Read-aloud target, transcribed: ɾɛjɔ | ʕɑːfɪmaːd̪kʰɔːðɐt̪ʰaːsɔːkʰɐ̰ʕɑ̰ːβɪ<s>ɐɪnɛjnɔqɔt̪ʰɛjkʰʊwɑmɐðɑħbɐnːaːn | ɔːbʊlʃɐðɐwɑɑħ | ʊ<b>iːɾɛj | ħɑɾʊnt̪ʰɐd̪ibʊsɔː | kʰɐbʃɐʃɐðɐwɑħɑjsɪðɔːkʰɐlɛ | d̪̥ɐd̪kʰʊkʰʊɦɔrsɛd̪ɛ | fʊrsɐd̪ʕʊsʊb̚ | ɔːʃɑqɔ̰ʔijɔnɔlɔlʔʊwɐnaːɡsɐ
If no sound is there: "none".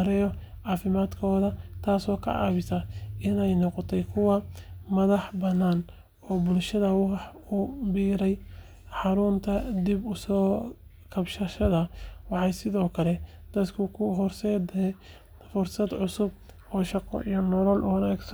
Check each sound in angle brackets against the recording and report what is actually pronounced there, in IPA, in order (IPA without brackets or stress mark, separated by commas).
s, b